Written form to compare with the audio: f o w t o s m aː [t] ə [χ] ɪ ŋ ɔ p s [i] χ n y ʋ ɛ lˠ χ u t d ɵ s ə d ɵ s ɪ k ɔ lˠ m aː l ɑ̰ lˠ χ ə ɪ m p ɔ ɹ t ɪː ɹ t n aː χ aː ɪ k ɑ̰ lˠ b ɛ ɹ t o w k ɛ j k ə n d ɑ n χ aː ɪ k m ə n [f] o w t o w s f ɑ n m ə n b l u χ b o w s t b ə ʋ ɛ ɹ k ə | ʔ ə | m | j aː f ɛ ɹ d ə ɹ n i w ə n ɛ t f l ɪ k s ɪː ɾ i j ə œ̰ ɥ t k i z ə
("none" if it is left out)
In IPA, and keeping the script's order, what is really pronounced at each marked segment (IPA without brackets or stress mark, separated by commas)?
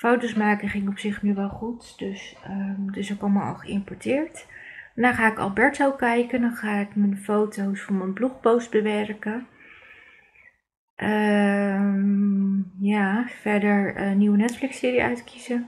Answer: k, χ, ɪ, f